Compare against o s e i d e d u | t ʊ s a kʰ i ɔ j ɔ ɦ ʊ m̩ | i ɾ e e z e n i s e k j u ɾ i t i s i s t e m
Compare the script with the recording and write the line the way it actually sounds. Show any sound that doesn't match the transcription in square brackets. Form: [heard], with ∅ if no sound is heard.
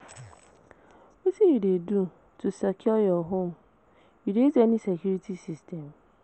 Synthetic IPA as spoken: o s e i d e d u | t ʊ s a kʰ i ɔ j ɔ ɦ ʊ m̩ | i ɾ e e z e n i s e k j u ɾ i t i s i s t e m